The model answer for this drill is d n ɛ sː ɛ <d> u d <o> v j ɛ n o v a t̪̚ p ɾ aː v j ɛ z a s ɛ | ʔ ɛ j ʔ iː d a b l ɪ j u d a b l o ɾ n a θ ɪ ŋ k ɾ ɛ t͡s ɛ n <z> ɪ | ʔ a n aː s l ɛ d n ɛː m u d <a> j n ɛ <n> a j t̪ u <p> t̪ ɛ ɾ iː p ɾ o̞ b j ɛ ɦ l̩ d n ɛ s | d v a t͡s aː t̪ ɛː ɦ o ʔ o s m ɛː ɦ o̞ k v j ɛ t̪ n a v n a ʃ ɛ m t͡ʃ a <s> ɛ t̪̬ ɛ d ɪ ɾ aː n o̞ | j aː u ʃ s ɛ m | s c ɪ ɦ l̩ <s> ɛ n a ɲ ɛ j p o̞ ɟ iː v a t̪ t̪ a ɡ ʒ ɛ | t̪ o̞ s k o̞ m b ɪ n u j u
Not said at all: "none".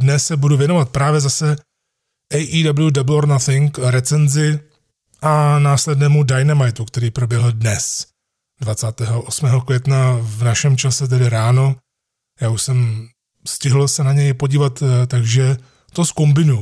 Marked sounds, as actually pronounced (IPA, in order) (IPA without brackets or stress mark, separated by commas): b, u, z, a, m, k, s, s